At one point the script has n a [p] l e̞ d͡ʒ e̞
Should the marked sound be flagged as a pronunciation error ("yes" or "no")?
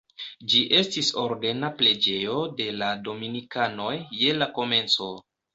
no